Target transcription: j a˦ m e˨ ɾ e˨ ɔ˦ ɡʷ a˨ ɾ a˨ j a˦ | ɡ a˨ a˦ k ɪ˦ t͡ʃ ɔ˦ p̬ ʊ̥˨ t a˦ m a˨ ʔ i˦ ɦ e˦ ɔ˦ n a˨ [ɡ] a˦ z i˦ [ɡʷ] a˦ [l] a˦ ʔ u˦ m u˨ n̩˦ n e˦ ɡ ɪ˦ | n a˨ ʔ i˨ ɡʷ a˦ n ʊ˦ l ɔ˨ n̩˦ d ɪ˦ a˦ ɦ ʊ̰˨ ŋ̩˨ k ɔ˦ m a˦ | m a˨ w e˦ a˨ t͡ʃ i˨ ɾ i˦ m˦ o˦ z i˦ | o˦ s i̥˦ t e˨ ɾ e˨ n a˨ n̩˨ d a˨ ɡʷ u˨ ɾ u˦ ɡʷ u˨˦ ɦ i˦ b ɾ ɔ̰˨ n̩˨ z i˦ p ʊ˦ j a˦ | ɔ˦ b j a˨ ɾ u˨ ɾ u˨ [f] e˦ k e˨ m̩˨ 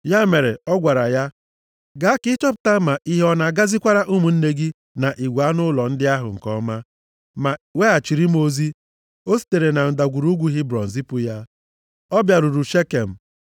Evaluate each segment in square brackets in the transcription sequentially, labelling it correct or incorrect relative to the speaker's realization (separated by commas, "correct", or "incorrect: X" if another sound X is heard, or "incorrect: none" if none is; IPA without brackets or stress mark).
correct, incorrect: kʷ, incorrect: ɾ, incorrect: ʃ